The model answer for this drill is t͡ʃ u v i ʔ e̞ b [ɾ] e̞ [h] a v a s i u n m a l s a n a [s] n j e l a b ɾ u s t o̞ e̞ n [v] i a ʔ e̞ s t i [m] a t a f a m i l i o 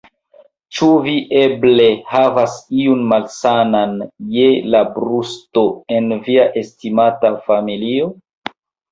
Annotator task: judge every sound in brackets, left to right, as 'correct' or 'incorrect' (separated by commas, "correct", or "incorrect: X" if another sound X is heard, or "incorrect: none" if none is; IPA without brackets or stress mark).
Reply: incorrect: l, correct, incorrect: none, correct, correct